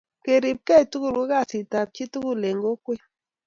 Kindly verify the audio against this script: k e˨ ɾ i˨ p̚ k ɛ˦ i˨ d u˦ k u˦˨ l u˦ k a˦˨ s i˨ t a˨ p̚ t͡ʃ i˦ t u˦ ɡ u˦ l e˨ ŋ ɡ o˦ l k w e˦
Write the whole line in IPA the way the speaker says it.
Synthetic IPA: k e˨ ɾ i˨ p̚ k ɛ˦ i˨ t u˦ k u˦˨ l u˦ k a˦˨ s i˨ t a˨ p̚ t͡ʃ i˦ t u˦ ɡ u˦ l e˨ ŋ ɡ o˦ k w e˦